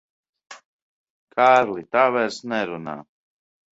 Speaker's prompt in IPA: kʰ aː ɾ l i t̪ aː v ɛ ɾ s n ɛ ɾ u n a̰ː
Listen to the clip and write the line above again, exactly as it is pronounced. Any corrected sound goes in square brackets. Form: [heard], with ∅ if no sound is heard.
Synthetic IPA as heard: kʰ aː ɾ l i t̪ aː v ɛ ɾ s n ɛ ɾ u n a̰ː